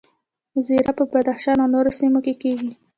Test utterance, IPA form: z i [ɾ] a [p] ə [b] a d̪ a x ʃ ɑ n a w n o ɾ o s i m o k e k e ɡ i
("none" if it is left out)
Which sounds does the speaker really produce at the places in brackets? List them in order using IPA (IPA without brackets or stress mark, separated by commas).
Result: ɾ, p, b